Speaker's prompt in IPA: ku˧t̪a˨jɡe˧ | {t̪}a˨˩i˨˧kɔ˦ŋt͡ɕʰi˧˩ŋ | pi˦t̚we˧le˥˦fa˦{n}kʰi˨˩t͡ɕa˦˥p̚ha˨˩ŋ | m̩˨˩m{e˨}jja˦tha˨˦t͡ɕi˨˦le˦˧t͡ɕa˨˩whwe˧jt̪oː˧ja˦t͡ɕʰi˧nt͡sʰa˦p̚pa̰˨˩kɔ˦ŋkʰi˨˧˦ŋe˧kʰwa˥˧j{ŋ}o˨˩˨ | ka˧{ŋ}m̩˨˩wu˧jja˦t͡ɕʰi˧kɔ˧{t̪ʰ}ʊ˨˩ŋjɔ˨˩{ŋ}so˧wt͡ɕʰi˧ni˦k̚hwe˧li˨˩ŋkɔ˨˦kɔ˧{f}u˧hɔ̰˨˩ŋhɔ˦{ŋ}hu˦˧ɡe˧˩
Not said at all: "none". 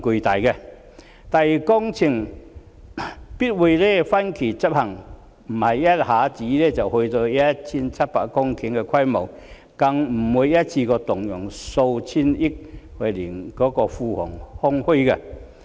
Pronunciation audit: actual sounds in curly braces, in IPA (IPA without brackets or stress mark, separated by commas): t̪, n, a˨, m, ŋ, t̪, ŋ, f, ŋ